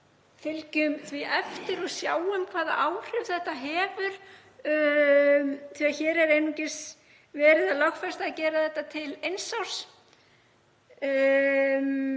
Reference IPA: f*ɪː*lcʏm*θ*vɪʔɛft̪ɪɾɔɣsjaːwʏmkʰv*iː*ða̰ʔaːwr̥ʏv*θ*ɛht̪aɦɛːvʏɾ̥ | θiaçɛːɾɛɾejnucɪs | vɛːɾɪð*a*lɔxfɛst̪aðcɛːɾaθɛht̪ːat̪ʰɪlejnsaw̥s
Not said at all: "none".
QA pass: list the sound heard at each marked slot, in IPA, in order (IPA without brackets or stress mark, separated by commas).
ɪ, θ, aː, θ, a